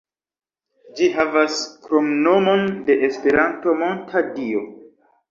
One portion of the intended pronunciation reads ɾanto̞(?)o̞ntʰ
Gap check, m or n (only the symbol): m